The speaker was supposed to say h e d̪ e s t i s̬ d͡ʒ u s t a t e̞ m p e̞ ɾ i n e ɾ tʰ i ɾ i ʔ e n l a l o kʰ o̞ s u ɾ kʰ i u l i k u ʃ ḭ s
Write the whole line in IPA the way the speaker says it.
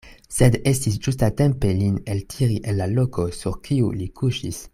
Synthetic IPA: s e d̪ e s t i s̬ d͡ʒ u s t a t e̞ m p e̞ l i n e l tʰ i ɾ i ʔ e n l a l o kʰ o̞ s u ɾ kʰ i u l i k u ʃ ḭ s